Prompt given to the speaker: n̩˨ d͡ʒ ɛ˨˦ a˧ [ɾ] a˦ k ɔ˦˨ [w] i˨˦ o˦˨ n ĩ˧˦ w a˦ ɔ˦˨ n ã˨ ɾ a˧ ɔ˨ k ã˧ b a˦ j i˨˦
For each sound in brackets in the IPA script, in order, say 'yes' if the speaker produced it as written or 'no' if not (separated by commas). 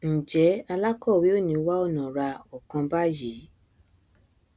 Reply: no, yes